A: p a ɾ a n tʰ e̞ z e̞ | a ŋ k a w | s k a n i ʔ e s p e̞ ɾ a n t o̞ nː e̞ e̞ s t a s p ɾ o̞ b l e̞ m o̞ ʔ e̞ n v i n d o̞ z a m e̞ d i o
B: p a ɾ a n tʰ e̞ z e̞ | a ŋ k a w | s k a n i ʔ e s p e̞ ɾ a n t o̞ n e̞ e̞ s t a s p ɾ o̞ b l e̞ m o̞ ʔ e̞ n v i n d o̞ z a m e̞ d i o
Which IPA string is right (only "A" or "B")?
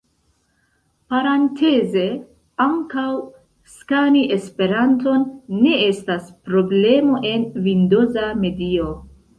A